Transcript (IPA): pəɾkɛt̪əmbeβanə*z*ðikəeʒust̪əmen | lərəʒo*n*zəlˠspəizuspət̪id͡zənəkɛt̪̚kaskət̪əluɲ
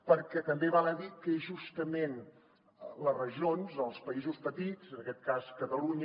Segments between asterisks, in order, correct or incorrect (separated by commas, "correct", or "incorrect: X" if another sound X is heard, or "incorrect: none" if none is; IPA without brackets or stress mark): incorrect: none, correct